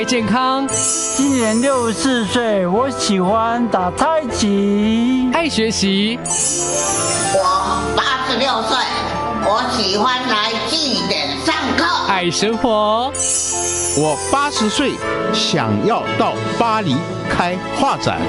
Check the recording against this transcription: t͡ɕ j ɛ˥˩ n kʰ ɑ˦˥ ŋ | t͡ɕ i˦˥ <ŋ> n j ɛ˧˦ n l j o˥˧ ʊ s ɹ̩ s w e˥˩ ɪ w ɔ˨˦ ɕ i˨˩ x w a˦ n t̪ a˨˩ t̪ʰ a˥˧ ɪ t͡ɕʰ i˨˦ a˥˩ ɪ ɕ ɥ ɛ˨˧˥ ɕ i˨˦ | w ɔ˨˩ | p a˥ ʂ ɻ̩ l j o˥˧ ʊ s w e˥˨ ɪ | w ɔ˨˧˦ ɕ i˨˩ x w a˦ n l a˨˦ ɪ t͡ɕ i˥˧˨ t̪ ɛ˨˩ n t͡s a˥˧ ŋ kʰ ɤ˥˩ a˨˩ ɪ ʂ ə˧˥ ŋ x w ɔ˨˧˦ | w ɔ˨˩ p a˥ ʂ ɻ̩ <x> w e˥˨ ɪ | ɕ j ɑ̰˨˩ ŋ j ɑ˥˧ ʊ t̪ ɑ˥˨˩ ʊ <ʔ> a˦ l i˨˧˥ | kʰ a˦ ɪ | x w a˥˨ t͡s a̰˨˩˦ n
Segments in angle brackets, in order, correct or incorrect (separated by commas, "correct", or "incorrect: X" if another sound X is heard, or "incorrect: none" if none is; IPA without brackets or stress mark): incorrect: n, incorrect: s, incorrect: p